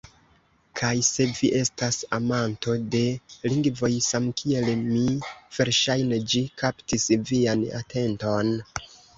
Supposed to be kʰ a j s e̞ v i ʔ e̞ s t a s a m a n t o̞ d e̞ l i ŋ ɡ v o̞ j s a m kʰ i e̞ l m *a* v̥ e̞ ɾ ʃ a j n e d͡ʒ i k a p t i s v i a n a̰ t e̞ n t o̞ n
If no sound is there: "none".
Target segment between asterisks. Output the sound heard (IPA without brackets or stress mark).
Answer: i